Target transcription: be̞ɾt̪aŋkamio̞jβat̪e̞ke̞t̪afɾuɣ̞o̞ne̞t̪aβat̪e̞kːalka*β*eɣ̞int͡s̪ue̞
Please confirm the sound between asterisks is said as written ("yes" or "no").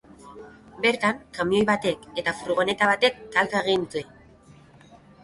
no